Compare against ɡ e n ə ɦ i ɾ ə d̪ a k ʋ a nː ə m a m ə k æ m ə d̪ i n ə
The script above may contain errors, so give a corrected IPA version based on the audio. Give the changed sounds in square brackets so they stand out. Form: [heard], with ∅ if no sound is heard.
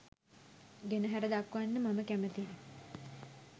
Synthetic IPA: ɡ e n ə ɦ [æ] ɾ ə d̪ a k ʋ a nː ə m a m ə k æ m ə [t̪] i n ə